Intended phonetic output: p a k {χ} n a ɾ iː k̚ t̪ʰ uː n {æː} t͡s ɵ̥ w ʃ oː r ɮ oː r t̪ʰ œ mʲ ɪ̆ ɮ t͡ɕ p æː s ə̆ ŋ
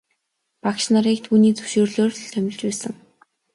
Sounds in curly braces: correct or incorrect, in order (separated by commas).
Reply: incorrect, incorrect